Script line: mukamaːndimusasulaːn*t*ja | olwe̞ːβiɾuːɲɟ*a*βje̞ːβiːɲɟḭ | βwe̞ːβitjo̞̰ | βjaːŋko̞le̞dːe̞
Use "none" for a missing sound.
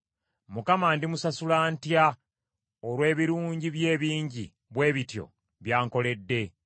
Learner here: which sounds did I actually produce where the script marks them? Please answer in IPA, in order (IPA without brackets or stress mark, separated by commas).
t, i